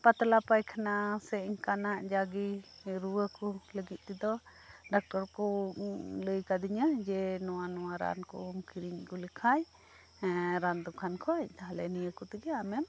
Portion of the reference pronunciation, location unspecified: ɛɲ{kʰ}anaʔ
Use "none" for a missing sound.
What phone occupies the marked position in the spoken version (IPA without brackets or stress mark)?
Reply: k